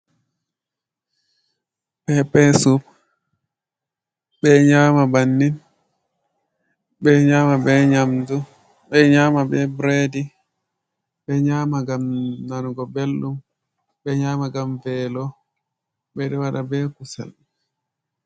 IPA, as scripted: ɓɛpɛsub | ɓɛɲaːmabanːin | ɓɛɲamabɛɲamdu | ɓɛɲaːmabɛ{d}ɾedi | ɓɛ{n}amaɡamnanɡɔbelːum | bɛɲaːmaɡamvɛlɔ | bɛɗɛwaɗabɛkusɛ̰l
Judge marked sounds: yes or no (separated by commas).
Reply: no, no